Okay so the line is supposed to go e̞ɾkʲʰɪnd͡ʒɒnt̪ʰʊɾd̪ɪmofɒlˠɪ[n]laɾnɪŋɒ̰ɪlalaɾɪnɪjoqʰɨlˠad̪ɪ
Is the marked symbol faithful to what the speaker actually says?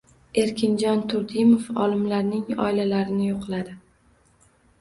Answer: no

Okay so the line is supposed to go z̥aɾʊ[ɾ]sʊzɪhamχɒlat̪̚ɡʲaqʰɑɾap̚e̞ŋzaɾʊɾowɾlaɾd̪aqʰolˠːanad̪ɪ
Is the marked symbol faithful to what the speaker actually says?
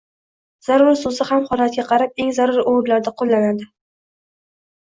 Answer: yes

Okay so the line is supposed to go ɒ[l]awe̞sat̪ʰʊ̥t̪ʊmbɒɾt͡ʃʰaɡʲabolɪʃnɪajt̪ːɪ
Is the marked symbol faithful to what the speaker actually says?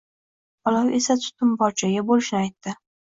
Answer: yes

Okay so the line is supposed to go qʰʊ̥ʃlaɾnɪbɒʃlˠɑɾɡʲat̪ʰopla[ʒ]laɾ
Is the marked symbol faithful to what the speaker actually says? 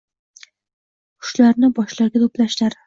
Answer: no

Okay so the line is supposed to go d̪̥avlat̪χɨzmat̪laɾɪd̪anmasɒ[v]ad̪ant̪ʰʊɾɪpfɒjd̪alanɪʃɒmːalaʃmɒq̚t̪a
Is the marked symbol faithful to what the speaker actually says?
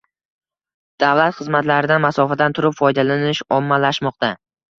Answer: no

